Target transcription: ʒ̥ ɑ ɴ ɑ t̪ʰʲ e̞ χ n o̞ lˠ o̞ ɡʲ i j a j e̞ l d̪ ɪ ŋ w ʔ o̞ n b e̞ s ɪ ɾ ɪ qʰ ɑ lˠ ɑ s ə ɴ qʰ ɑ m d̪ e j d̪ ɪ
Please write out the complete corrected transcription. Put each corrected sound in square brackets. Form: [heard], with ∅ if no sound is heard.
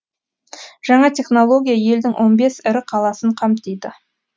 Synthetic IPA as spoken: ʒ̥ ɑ ɴ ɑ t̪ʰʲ e̞ χ n o̞ lˠ o̞ ɡʲ i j a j e̞ l d̪ ɪ ŋ w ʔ o̞ n b e̞ s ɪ ɾ ɪ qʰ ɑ lˠ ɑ s ə ɴ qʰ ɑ m [t̪] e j d̪ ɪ